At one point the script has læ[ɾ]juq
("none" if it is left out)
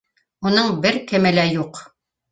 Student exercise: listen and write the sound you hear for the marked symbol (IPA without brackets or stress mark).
none